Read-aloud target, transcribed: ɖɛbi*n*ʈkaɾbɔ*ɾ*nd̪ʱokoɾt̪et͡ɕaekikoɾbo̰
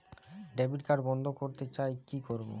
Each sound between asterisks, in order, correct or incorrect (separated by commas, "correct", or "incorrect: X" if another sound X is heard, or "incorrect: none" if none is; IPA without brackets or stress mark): incorrect: none, incorrect: none